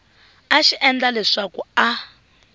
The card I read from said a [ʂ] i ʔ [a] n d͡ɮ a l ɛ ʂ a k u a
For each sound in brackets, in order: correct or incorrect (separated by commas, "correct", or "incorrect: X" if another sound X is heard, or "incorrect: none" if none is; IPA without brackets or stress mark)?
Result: incorrect: ʃ, incorrect: ɛ